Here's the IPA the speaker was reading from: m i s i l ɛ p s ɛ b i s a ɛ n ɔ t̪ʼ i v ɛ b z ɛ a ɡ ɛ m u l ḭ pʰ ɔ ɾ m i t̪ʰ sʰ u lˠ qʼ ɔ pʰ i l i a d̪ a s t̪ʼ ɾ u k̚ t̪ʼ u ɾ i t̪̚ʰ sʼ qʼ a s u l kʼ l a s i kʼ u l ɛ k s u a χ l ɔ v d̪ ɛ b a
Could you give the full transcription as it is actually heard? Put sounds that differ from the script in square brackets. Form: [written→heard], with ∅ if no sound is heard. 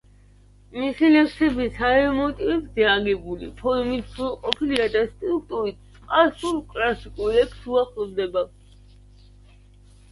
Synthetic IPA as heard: m i s i l ɛ p s ɛ b i s a ɛ [n→m] ɔ t̪ʼ i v ɛ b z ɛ a ɡ ɛ [m→b] u l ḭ pʰ ɔ ɾ m i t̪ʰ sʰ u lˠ qʼ ɔ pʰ i l i a d̪ a s t̪ʼ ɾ u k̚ t̪ʼ u ɾ i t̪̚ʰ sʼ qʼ a s u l kʼ l a s i kʼ u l ɛ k s u a χ l ɔ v d̪ ɛ b a

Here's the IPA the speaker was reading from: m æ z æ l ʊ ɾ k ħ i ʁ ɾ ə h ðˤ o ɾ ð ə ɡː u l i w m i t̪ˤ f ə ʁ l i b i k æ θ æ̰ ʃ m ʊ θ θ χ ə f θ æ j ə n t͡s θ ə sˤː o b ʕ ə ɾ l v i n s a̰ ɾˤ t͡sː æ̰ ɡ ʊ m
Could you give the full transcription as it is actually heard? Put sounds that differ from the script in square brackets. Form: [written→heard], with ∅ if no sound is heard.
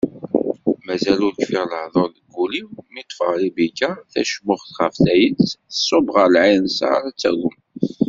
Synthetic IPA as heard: m æ z æ l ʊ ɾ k [ħ→f] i ʁ [ɾ→l] ə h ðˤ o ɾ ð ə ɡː u l i w m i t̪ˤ f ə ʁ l i b i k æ θ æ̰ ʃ m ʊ [θ→χ] θ χ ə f θ æ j ə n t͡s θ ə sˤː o b [ʕ→ʁ] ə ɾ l [v→ʕ] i n s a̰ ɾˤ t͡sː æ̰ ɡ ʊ m

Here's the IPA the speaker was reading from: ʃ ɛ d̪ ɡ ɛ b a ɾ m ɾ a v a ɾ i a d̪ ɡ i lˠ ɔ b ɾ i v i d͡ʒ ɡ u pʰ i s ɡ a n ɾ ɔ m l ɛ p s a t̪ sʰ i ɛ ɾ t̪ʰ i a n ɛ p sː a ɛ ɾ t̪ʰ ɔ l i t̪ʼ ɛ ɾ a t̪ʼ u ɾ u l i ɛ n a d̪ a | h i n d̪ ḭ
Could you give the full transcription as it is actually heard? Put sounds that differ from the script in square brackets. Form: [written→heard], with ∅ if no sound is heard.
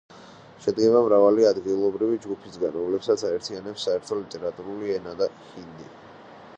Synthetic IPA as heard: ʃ ɛ d̪ ɡ ɛ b a [ɾ→∅] m ɾ a v a [ɾ→l] i a d̪ ɡ i lˠ ɔ b ɾ i v i d͡ʒ ɡ u pʰ i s ɡ a n ɾ ɔ m l ɛ p s a t̪ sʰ [i→a] ɛ ɾ t̪ʰ i a n ɛ p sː a ɛ ɾ t̪ʰ ɔ l i t̪ʼ ɛ ɾ a t̪ʼ u ɾ u l i ɛ n a d̪ a | h i n d̪ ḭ

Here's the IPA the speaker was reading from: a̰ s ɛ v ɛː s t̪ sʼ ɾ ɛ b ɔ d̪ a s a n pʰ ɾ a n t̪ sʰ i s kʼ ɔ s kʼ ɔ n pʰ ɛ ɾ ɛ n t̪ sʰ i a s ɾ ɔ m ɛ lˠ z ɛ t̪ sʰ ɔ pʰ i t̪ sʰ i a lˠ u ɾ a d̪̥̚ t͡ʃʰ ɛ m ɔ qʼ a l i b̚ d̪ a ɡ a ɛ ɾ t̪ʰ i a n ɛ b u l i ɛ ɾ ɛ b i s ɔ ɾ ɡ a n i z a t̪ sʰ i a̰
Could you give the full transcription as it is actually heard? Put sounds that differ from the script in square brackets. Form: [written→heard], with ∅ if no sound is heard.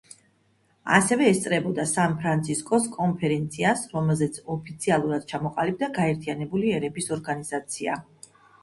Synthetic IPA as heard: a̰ s ɛ v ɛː s t̪ sʼ ɾ ɛ b ɔ d̪ a s a n pʰ ɾ a n t̪ sʰ i s kʼ ɔ s kʼ ɔ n pʰ ɛ ɾ ɛ n t̪ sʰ i a s ɾ ɔ m ɛ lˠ z ɛ t̪ sʰ ɔ pʰ i t̪ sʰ i a lˠ u ɾ a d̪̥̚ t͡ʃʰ [ɛ→a] m ɔ qʼ a l i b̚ d̪ a ɡ a ɛ ɾ t̪ʰ i a n ɛ b u l i ɛ ɾ ɛ b i s ɔ ɾ ɡ a n i z a t̪ sʰ i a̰

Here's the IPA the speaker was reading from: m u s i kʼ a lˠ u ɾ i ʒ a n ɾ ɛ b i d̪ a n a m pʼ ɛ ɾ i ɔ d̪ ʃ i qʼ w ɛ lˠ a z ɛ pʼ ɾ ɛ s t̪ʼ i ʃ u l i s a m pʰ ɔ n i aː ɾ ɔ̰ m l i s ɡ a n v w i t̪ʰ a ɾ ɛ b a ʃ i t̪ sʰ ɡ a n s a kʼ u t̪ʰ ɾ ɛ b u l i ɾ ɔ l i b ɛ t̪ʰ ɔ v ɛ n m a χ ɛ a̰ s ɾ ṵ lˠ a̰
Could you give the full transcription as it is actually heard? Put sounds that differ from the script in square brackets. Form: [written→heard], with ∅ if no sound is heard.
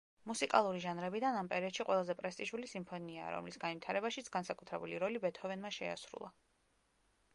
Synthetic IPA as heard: m u s i kʼ a lˠ u ɾ i ʒ a n ɾ ɛ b i d̪ a n a m pʼ ɛ ɾ i ɔ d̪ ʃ i qʼ w ɛ lˠ a z ɛ pʼ ɾ ɛ s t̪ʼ i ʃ u l i s [a→i] m pʰ ɔ n i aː ɾ ɔ̰ m l i s ɡ a n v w i t̪ʰ a ɾ ɛ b a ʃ i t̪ sʰ ɡ a n s a kʼ u t̪ʰ ɾ ɛ b u l i ɾ ɔ l i b ɛ t̪ʰ ɔ v ɛ n m a [χ→ʃ] ɛ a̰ s ɾ ṵ lˠ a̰

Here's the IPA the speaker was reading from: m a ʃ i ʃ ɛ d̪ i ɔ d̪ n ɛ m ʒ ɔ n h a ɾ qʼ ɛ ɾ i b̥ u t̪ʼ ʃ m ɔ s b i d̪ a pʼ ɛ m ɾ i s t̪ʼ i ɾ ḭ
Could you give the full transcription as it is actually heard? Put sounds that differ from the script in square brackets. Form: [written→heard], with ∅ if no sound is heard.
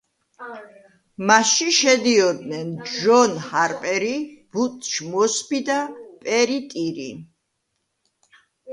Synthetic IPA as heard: m a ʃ i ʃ ɛ d̪ i ɔ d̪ n ɛ [m→n] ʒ ɔ n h a ɾ [qʼ→pʼ] ɛ ɾ i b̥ u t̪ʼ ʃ m ɔ s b i d̪ a pʼ ɛ [m→∅] ɾ i [s→∅] t̪ʼ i ɾ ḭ

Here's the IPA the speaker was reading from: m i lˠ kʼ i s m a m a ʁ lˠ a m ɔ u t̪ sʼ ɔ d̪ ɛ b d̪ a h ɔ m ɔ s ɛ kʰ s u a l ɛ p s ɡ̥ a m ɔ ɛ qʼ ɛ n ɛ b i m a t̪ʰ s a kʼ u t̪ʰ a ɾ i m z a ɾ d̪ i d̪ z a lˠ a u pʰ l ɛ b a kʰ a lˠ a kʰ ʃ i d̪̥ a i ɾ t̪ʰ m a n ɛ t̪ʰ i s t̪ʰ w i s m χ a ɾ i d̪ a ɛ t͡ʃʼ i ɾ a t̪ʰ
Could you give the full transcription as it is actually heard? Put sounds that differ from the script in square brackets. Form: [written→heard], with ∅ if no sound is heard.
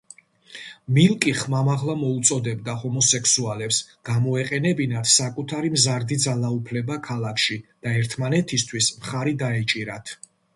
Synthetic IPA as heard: m i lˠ kʼ i [s→χ] m a m a ʁ lˠ a m ɔ u t̪ sʼ ɔ d̪ ɛ b d̪ a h ɔ m ɔ s ɛ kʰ s u a l ɛ p s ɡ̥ a m ɔ ɛ qʼ ɛ n ɛ b i [m→n] a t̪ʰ s a kʼ u t̪ʰ a ɾ i m z a ɾ d̪ i d̪ z a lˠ a u pʰ l ɛ b a kʰ a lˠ a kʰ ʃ i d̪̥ a [i→ɛ] ɾ t̪ʰ m a n ɛ t̪ʰ i s t̪ʰ w i s m χ a ɾ i d̪ a ɛ t͡ʃʼ i ɾ a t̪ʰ

